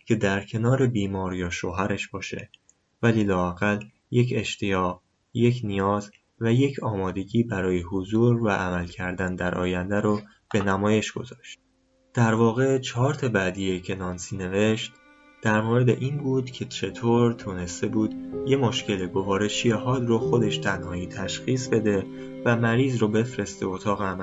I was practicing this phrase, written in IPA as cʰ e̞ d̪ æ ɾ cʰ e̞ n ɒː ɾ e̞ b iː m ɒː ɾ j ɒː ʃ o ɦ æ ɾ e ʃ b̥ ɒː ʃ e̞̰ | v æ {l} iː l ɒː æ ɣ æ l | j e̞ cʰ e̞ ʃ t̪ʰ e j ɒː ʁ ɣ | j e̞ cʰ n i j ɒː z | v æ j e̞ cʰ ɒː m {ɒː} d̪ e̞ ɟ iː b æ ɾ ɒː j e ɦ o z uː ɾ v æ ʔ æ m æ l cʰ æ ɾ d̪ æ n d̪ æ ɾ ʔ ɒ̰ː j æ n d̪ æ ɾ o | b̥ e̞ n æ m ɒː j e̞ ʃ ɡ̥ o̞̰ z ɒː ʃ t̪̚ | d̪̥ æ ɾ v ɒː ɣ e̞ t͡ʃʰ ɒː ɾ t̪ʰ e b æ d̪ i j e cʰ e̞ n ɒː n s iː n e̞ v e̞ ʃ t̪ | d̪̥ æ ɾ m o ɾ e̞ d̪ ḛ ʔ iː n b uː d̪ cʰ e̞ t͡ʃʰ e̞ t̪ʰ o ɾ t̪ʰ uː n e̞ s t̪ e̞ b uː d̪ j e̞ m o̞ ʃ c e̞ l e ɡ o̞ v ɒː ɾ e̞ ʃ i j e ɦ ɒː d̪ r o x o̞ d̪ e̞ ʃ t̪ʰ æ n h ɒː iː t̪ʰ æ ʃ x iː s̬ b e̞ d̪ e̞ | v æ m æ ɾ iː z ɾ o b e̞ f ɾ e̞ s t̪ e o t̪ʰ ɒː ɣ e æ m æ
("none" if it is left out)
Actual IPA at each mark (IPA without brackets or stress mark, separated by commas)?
l, ɒː